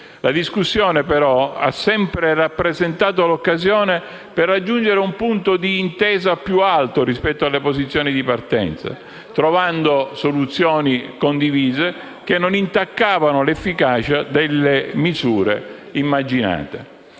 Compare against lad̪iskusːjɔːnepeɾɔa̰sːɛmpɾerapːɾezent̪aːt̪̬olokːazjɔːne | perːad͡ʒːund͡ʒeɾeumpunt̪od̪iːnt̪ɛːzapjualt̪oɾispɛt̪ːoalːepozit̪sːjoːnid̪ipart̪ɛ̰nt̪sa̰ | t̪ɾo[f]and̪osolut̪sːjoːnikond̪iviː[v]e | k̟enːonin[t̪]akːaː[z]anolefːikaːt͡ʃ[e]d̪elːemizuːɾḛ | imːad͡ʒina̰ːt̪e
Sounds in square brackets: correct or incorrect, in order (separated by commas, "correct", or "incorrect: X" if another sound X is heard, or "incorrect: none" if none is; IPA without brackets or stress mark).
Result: incorrect: v, incorrect: z, correct, incorrect: v, incorrect: a